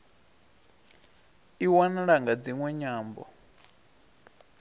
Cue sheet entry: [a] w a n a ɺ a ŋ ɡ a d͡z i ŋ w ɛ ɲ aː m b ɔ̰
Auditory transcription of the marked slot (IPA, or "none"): i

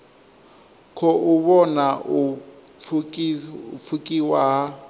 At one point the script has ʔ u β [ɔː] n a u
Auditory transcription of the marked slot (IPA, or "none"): ɔ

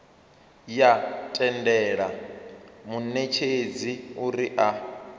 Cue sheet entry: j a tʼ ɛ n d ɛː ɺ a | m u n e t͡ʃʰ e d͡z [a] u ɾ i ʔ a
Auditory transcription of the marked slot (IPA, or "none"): i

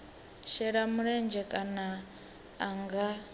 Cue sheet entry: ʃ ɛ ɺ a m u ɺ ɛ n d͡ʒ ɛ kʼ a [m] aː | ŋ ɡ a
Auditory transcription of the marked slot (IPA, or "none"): n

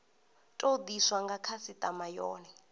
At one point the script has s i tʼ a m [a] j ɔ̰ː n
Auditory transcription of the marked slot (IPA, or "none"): a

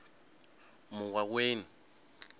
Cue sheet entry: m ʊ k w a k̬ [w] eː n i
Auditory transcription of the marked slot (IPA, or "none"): w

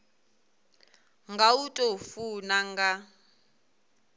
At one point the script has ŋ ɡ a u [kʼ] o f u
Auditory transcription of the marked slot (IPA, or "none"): tʼ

